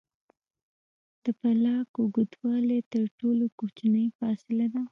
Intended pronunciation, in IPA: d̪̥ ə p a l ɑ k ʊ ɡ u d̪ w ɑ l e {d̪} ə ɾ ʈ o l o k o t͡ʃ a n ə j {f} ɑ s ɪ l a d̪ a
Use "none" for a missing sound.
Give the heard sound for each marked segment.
t̪, f

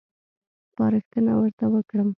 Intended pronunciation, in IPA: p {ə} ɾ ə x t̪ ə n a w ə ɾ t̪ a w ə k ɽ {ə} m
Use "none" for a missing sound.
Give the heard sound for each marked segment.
ɑ, ə

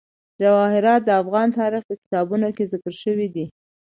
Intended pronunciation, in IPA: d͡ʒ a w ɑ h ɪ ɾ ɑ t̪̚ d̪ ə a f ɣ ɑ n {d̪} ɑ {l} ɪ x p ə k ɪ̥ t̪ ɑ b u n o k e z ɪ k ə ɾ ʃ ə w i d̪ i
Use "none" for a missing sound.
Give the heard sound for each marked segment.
t̪, ɾ

